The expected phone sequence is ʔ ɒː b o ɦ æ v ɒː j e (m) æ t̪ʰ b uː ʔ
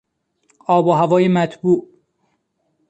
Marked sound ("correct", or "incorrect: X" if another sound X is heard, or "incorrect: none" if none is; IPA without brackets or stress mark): correct